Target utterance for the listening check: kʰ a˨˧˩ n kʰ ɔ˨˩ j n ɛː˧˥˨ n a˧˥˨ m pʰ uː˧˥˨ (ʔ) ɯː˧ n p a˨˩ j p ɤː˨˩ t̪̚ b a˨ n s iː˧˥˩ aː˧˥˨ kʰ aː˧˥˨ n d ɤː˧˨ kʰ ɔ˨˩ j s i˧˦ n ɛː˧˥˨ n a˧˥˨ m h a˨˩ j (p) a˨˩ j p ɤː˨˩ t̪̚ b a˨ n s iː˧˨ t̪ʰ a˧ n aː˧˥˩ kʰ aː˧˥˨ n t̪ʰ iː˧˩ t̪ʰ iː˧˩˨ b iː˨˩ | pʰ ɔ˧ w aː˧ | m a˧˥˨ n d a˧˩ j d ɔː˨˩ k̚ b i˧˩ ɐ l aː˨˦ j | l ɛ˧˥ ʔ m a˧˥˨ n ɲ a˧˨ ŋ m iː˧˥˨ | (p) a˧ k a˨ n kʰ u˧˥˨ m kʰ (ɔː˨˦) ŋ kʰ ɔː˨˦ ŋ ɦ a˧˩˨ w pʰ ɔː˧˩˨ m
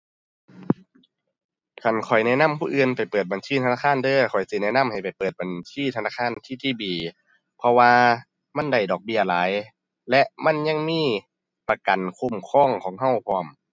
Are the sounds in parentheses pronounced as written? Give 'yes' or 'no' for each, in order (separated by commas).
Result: yes, yes, yes, no